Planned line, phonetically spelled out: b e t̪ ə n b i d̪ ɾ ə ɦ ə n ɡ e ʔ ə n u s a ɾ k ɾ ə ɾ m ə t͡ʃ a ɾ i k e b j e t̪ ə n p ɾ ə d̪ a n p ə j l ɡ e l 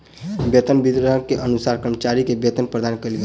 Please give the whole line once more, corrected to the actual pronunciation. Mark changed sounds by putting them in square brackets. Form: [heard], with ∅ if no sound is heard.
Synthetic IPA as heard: b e t̪ ə n b i d̪ ɾ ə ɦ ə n [k] e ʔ ə n u s a ɾ k ɾ ə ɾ m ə t͡ʃ a ɾ i k e b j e t̪ ə n p ɾ ə d̪ a n [k] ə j l ɡ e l